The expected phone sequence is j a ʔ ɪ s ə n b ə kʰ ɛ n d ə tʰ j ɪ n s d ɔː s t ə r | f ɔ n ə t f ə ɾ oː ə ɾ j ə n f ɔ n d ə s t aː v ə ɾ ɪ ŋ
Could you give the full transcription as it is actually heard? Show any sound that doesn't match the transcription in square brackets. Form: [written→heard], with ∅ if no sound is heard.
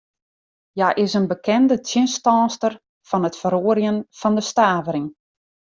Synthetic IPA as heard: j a ʔ ɪ s ə n b ə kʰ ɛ n d ə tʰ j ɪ n s [d→t] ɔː s t ə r | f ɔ n ə t f ə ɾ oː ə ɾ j ə n f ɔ n d ə s t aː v ə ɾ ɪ ŋ